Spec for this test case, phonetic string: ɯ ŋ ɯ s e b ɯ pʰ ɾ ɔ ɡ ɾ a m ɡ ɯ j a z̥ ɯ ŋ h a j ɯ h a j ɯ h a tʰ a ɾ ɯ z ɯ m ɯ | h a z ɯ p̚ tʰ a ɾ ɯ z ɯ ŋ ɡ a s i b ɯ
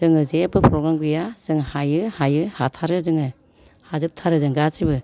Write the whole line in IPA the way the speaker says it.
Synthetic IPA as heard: ɯ ŋ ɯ z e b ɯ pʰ ɾ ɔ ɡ ɾ a m ɡ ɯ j a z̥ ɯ ŋ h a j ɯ h a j ɯ h a tʰ a ɾ ɯ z ɯ ŋ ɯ | h a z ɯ p̚ tʰ a ɾ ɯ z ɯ ŋ ɡ a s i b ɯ